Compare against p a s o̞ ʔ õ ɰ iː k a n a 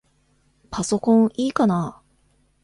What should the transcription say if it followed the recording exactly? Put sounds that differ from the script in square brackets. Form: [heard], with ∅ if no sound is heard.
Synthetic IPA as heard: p a s o̞ [k] õ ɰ iː k a n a